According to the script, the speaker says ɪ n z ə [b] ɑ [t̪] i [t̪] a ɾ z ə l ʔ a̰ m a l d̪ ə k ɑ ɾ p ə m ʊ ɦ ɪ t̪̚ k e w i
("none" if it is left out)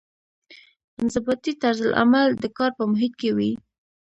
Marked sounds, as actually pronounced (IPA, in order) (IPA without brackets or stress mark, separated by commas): b, t̪, t̪